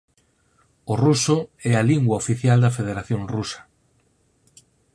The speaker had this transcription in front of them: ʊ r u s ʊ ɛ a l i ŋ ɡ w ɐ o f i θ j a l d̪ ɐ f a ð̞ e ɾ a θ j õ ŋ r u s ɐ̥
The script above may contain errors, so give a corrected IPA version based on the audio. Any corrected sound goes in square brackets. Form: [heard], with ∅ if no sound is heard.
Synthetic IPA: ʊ r u s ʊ ɛ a l i ŋ ɡ w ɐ o f i θ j a l d̪ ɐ f [e] ð̞ e ɾ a θ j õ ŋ r u s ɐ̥